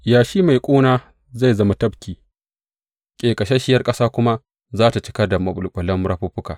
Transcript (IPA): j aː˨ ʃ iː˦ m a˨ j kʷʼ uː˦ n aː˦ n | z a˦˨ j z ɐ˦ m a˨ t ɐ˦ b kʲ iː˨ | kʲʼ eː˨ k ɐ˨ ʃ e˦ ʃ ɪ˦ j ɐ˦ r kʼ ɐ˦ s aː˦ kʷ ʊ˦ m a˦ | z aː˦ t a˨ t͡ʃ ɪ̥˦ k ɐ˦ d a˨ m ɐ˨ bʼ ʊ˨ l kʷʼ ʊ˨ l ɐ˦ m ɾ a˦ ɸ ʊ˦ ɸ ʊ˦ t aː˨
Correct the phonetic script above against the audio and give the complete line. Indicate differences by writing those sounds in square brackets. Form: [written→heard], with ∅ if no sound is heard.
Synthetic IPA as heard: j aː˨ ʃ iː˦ m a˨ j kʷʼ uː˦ n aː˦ [n→∅] | z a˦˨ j z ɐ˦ m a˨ t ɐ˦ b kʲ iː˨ | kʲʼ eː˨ [k→kʼ] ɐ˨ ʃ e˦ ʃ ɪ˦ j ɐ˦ r kʼ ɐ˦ s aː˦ kʷ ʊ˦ m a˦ | z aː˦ t a˨ t͡ʃ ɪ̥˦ k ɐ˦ d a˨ m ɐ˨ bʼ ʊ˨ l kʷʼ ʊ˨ l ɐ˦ m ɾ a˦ ɸ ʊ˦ ɸ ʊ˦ [t→k] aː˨